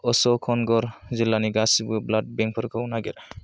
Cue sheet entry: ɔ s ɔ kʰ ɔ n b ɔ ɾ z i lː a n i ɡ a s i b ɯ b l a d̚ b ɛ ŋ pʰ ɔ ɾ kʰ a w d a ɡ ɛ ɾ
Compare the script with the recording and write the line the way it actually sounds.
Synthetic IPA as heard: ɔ s ɔ kʰ ɔ n ɡ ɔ ɾ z i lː a n i ɡ a s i b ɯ b l a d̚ b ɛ ŋ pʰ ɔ ɾ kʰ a w n a ɡ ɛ ɾ